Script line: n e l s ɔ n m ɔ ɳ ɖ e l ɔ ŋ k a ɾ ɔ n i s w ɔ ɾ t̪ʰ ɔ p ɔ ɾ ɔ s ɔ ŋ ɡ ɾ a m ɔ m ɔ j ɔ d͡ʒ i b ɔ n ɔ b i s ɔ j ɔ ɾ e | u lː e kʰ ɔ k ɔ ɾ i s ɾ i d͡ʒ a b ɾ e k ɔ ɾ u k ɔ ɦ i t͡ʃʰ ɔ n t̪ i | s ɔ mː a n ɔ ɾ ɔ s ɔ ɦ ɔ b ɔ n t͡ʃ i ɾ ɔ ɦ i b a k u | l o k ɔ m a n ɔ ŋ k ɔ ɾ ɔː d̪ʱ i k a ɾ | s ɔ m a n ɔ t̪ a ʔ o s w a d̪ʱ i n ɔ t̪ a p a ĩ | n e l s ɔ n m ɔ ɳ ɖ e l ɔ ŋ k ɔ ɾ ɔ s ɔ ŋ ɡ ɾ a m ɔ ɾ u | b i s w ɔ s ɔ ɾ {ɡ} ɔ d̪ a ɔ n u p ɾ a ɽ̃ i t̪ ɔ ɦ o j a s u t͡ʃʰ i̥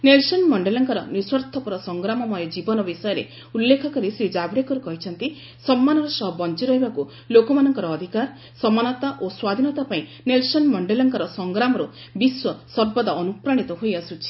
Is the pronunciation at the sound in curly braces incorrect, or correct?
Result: incorrect